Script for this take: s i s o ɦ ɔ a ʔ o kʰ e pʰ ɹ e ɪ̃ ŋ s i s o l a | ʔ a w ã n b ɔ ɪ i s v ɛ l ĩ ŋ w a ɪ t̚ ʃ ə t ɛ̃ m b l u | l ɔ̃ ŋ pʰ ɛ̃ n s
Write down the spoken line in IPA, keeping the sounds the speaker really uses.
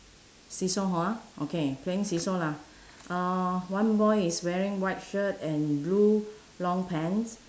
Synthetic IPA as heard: s i s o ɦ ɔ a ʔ o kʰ e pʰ l e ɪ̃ ŋ s i s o l a | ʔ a w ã n b ɔ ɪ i s w ɛ ɹ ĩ ŋ w a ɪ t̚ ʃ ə t ɛ̃ n b l u | l ɔ̃ ŋ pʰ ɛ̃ n s